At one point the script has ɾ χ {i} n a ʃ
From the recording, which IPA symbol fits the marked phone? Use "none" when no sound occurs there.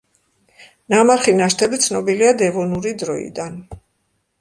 i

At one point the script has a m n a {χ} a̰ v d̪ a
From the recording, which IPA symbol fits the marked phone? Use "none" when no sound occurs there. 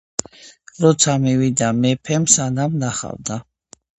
χ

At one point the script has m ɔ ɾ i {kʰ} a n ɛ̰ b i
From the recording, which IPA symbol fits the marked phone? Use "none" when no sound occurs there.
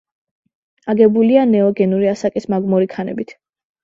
kʰ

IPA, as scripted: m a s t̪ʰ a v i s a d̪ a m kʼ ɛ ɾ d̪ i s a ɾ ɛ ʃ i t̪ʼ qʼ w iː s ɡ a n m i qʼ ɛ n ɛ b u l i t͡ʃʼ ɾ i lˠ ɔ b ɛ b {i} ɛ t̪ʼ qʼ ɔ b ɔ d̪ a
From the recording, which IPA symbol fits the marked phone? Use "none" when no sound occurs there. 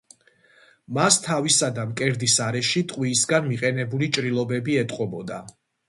i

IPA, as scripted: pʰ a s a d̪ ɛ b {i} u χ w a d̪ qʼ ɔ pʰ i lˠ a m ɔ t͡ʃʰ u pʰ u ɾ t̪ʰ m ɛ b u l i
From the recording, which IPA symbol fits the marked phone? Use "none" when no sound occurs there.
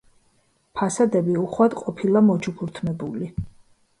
i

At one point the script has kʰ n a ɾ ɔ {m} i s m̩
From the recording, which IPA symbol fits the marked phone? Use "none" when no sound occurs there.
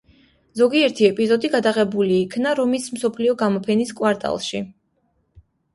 m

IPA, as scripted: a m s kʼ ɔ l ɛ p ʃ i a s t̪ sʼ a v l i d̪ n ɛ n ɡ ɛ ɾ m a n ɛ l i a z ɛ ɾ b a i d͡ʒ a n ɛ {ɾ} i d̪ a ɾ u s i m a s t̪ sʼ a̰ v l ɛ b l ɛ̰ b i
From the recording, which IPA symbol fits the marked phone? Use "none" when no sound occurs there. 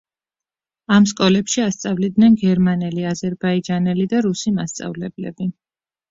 l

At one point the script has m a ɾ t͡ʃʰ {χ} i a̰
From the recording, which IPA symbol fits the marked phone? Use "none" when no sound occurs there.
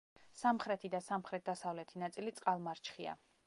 χ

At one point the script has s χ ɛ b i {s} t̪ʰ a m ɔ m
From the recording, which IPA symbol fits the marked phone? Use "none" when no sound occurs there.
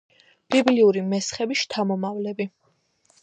ʃ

